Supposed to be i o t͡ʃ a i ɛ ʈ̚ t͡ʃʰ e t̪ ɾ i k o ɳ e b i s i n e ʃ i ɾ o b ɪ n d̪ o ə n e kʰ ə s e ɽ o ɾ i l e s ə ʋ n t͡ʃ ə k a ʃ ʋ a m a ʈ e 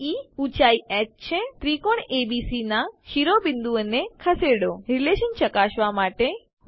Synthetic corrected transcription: i u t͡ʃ a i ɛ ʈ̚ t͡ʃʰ e t̪ ɾ i k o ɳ e b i s i n a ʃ i ɾ o b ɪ n d̪ u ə n e kʰ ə s e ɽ o ɾ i l e ʃ ə n t͡ʃ ə k a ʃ ʋ a m a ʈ e

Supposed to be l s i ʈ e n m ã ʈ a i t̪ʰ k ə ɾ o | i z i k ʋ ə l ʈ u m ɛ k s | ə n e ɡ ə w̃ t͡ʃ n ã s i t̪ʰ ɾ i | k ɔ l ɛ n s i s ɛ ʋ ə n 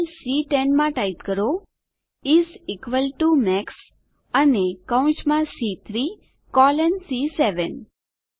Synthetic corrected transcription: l s i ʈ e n m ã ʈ a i t̪ k ə ɾ o | i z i k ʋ ə l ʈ u m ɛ k s | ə n e k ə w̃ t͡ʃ m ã s i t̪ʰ ɾ i | k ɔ l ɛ n s i s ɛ ʋ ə n

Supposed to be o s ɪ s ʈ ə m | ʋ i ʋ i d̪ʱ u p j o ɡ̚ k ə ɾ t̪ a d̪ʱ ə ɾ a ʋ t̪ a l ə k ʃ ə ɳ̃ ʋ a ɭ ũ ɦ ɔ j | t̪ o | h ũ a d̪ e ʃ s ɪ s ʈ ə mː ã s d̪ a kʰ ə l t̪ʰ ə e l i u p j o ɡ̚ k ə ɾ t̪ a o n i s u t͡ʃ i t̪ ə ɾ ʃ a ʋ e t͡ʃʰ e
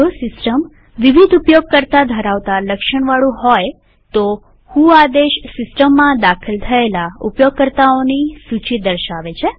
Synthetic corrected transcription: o s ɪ s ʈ ə m | ʋ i ʋ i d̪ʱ u p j o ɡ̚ k ə ɾ t̪ a d̪ʱ ə ɾ a ʋ t̪ a l ə k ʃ ə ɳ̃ ʋ a ɭ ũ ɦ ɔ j | t̪ o | h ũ a d̪ e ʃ s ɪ s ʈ ə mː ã d̪ a kʰ ə l t̪ʰ ə e l a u p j o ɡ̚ k ə ɾ t̪ a o n i s u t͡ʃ i d̪ ə ɾ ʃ a ʋ e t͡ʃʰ e

